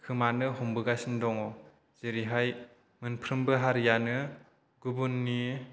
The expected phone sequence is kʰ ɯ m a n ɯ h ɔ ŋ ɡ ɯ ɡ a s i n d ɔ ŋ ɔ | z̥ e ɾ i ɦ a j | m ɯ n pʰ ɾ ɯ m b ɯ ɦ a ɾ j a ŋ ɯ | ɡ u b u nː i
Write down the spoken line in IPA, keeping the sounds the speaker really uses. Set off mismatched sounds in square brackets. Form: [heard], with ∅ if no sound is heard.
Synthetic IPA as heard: kʰ ɯ m a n ɯ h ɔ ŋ [b] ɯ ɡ a s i n d ɔ ŋ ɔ | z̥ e ɾ i ɦ a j | m ɯ n pʰ ɾ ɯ m b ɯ ɦ a ɾ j a [n] ɯ | ɡ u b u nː i